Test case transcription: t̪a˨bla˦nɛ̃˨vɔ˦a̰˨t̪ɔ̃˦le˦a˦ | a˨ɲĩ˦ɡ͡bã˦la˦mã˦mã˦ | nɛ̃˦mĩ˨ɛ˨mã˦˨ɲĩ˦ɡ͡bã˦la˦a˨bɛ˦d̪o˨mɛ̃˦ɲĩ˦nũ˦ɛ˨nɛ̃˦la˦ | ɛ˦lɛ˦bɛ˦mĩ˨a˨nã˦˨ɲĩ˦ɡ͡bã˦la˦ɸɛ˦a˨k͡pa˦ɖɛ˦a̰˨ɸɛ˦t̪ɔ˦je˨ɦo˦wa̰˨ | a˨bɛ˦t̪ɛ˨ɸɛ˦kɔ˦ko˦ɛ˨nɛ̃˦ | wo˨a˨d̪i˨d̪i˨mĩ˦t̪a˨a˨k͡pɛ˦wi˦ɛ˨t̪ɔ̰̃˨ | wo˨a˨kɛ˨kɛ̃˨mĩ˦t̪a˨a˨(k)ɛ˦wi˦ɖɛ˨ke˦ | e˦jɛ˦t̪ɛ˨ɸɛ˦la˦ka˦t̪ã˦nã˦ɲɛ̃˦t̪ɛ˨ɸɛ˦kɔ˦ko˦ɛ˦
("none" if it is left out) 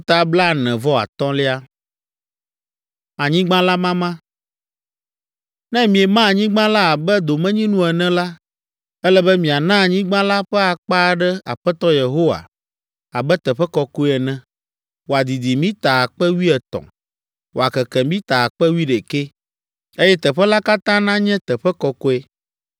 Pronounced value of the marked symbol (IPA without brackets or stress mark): k͡p